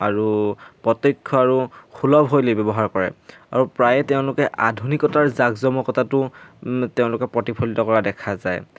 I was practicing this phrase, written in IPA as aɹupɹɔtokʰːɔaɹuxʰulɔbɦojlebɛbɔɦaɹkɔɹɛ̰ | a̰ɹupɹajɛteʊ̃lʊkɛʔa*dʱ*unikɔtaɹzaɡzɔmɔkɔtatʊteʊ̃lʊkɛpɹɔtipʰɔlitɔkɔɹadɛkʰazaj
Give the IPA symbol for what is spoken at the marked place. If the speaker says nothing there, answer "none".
dʱ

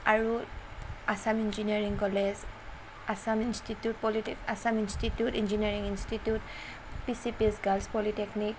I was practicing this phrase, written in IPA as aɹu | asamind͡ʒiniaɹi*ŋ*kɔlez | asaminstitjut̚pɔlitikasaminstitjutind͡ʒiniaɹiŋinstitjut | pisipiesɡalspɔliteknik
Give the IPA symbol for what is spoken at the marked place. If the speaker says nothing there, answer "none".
ŋ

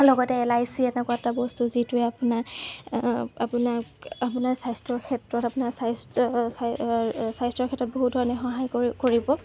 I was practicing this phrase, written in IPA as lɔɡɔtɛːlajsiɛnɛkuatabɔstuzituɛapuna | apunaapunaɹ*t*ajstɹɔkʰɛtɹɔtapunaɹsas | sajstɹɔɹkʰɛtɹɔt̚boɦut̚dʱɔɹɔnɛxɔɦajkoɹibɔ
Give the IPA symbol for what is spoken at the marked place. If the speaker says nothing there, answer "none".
s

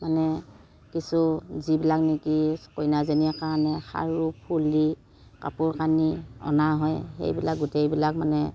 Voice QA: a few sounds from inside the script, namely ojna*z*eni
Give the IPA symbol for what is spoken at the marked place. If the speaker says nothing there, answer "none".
z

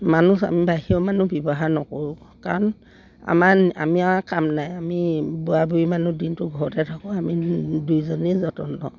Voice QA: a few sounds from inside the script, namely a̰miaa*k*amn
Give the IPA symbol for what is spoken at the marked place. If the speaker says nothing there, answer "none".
k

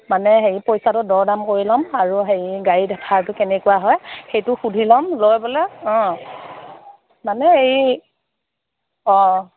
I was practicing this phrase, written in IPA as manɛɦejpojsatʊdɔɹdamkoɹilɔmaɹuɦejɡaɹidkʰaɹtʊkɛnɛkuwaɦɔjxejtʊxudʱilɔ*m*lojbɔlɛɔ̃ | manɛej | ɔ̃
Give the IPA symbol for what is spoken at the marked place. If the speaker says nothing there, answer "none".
m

